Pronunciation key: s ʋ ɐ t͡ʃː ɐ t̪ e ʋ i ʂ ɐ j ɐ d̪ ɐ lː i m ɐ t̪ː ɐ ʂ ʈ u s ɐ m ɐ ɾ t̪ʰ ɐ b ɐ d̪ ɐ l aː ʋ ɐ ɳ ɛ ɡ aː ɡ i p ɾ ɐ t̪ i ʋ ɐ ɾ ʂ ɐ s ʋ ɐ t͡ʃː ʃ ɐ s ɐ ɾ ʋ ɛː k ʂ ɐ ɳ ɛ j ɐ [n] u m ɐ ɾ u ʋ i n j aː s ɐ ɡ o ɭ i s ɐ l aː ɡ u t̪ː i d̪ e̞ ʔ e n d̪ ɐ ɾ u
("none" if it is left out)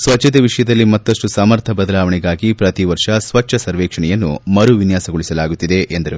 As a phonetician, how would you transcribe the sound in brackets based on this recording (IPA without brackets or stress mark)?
nː